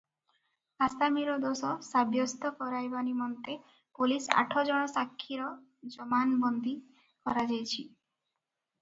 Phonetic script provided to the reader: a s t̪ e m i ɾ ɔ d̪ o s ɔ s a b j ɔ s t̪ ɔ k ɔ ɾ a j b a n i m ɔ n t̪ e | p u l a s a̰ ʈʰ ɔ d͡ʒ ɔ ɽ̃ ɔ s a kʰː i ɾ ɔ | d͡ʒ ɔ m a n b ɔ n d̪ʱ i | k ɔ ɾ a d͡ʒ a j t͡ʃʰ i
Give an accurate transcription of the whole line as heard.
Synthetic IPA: a s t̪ a m i ɾ ɔ d̪ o s ɔ s a b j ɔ s t̪ ɔ k ɔ ɾ a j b a n i m ɔ n t̪ e | p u l i s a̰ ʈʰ ɔ d͡ʒ ɔ ɽ̃ ɔ s a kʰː i ɾ ɔ | d͡ʒ ɔ m a n b ɔ n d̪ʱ i | k ɔ ɾ a d͡ʒ a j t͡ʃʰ i